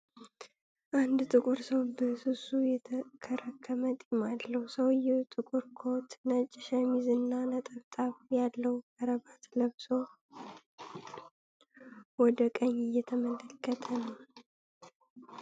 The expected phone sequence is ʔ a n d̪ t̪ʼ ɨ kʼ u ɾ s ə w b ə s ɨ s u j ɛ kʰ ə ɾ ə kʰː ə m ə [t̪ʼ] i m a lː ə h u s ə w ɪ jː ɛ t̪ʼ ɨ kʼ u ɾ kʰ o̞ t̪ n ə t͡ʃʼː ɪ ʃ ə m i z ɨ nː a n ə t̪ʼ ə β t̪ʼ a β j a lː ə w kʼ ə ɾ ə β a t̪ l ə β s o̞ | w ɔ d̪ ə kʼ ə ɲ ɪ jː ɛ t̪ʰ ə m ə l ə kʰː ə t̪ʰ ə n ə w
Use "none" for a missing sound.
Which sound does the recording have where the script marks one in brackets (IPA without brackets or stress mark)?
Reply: t̪ʼ